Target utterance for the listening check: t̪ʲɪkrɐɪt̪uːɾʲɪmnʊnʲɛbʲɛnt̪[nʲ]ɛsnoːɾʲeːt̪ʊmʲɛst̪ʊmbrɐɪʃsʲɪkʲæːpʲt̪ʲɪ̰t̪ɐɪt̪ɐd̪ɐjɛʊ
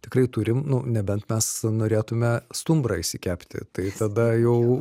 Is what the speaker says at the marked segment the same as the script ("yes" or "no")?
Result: no